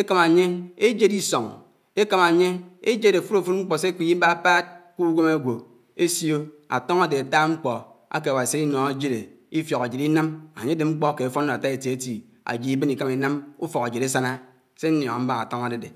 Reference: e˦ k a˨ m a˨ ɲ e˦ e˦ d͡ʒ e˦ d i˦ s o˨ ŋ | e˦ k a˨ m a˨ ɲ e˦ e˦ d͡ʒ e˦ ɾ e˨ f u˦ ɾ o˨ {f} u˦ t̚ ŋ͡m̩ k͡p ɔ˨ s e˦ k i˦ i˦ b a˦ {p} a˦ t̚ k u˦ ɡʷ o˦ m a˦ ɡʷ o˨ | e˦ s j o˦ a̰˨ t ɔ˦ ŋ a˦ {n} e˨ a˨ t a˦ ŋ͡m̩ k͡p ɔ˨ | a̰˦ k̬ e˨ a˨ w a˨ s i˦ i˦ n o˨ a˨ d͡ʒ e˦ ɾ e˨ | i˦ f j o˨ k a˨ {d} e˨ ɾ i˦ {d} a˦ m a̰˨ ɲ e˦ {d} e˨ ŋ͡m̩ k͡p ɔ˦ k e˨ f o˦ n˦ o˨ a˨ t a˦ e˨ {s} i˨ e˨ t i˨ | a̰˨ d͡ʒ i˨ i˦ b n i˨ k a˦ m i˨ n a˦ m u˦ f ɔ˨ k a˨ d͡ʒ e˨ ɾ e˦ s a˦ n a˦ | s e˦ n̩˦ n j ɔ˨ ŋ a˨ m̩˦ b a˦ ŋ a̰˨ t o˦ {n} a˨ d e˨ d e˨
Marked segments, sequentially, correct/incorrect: correct, correct, incorrect, incorrect, incorrect, correct, incorrect, incorrect

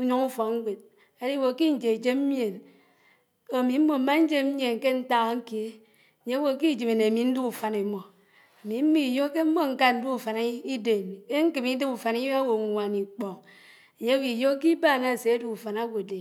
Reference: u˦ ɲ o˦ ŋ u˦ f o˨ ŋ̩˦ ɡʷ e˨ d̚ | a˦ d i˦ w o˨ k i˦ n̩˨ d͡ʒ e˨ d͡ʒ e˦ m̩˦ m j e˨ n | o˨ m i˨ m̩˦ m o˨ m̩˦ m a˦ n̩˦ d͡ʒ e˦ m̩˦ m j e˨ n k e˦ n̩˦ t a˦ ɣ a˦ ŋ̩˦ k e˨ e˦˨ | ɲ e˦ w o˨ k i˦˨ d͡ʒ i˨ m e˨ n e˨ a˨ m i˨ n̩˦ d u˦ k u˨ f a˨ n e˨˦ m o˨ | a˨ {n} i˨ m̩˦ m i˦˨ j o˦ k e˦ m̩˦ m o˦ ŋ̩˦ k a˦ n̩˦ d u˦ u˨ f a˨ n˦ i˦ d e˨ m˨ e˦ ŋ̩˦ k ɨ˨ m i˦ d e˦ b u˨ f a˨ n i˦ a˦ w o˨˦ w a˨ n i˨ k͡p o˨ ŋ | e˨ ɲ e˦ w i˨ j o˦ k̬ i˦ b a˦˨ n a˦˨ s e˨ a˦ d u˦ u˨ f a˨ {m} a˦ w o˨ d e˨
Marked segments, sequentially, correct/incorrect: incorrect, incorrect

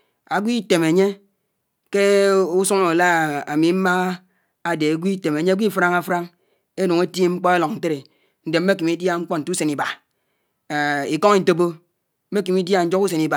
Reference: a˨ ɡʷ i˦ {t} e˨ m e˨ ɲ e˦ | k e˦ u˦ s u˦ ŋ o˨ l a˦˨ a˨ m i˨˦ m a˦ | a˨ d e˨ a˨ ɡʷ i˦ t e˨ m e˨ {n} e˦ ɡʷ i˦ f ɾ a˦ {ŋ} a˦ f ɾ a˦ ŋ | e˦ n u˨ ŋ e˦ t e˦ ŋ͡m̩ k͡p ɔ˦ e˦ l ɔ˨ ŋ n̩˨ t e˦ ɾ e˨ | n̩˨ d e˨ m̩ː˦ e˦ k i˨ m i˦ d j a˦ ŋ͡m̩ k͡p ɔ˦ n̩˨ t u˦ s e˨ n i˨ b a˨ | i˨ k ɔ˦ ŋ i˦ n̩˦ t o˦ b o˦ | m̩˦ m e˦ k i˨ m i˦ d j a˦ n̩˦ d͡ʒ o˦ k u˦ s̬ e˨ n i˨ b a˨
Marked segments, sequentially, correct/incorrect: correct, incorrect, correct

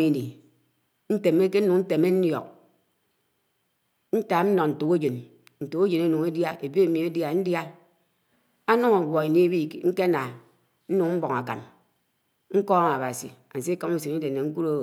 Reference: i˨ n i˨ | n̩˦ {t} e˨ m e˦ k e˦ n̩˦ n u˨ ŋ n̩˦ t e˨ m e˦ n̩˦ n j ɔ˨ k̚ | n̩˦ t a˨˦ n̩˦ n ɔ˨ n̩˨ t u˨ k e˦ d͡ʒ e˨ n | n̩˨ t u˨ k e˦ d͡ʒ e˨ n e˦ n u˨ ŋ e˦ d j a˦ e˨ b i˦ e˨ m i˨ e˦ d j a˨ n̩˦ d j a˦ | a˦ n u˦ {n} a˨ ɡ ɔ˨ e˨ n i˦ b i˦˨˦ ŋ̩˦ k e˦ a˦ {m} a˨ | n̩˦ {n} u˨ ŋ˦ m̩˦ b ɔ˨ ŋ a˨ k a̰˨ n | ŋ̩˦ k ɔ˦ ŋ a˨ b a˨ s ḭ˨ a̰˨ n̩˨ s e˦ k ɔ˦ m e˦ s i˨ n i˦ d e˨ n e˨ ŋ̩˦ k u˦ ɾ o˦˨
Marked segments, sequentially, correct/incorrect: correct, incorrect, incorrect, correct

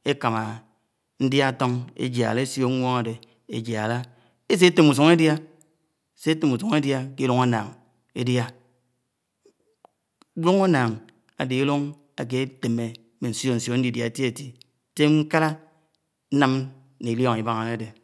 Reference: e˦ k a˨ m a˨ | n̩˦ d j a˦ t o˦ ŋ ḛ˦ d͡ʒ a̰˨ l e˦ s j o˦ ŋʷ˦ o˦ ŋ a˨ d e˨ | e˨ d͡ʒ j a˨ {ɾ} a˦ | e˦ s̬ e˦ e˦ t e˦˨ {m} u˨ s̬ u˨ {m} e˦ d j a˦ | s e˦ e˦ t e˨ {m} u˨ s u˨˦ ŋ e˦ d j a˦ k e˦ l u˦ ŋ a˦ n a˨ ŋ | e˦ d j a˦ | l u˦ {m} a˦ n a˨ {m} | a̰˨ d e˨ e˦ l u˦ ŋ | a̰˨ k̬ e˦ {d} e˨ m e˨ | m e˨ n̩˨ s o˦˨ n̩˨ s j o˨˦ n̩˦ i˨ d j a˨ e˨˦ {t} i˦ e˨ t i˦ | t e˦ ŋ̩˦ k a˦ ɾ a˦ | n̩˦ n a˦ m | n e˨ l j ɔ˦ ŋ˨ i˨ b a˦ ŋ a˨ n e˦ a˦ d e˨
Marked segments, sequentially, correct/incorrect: incorrect, correct, incorrect, correct, incorrect, incorrect, incorrect, correct

